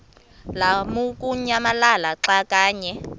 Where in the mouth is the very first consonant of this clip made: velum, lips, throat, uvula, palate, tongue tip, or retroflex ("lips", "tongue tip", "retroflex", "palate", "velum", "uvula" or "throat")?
tongue tip